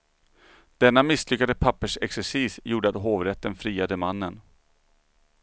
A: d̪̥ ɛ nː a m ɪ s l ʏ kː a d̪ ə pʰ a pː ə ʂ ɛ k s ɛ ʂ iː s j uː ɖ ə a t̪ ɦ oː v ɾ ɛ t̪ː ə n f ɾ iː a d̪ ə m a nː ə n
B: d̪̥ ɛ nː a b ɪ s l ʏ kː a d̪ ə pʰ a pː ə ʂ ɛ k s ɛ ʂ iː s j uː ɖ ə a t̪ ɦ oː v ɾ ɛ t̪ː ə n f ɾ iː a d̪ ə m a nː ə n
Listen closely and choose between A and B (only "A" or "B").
A